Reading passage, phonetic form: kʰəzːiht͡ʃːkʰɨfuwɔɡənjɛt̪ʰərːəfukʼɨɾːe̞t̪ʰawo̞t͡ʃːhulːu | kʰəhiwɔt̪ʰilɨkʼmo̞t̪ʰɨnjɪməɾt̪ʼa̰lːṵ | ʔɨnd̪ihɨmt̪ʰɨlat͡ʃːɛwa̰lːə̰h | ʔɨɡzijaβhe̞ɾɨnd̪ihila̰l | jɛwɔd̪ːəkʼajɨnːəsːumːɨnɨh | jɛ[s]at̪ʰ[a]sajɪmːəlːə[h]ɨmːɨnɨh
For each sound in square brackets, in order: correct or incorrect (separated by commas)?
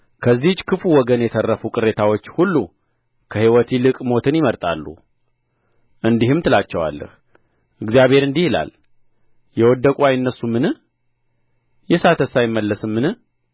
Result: correct, incorrect, incorrect